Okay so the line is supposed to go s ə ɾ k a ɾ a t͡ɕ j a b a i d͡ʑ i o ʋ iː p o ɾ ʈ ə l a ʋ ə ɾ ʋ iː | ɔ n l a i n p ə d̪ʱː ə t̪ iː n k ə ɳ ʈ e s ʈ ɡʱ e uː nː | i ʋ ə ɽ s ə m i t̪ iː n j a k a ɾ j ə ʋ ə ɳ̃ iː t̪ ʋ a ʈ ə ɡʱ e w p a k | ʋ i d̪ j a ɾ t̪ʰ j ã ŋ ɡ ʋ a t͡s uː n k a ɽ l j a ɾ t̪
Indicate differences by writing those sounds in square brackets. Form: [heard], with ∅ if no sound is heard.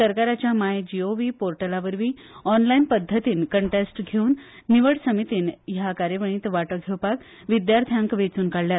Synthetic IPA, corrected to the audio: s ə ɾ k a ɾ a t͡ɕ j a [m] a [j] d͡ʑ i o ʋ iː p o ɾ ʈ ə l a ʋ ə ɾ ʋ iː | ɔ n l a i n p ə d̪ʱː ə t̪ iː n k ə ɳ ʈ e s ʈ ɡʱ e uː nː | i ʋ ə ɽ s ə m i t̪ iː n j a k a ɾ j ə ʋ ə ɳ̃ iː t̪ ʋ a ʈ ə ɡʱ e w p a k | ʋ i d̪ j a ɾ t̪ʰ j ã ŋ [k] ʋ [e] t͡s uː n k a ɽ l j a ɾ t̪